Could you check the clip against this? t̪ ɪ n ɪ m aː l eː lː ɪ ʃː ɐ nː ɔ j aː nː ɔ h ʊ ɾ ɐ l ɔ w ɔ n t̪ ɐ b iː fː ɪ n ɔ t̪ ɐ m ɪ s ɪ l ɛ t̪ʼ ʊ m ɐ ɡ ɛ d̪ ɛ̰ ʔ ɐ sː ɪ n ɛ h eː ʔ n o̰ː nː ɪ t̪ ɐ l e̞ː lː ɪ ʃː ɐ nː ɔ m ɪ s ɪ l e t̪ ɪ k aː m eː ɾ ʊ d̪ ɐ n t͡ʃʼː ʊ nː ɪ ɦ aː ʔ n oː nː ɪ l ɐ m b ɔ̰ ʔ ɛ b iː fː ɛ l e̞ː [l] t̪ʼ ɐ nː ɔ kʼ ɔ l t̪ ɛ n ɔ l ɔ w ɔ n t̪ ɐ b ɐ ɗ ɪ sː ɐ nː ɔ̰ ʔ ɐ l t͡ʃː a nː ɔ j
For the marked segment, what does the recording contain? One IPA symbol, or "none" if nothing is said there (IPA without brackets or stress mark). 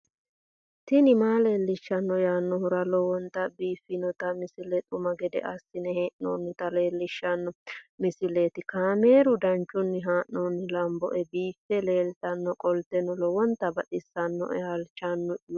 l